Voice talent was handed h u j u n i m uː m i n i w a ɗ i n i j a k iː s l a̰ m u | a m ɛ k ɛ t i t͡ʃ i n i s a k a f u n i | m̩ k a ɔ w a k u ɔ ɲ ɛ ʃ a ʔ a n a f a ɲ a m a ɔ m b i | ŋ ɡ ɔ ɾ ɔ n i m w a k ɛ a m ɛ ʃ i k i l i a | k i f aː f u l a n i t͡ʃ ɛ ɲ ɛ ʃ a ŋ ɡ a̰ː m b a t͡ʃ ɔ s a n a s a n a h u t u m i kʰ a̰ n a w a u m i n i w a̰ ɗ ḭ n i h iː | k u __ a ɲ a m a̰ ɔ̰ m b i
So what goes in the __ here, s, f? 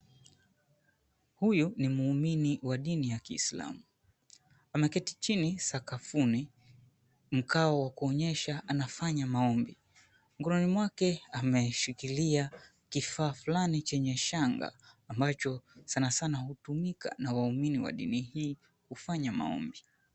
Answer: f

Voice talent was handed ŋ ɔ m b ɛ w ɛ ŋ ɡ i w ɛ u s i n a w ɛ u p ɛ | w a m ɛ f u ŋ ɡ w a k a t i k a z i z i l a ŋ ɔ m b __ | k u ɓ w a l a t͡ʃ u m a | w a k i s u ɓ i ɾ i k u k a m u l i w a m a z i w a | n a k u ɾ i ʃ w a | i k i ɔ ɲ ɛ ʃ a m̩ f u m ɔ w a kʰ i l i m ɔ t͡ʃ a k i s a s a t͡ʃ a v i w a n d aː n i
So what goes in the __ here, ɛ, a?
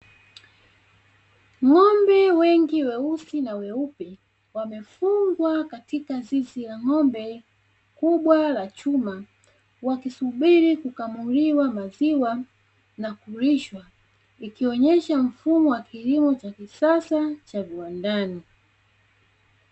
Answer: ɛ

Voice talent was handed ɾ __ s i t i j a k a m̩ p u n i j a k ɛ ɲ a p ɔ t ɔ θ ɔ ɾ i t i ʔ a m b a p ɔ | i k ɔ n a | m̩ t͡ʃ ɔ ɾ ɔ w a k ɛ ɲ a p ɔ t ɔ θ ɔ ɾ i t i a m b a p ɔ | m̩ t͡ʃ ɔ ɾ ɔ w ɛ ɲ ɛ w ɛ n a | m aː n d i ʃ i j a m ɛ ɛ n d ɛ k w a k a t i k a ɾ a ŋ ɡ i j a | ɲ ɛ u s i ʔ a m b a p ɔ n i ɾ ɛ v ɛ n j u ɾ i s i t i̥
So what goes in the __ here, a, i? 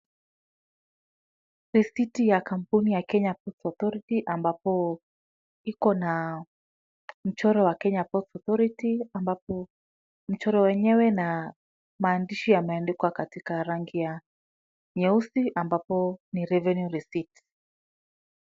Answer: i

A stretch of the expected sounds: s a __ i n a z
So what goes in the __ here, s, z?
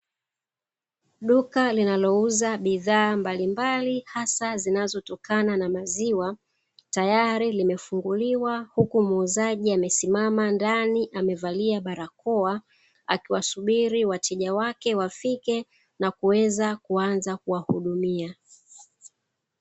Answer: z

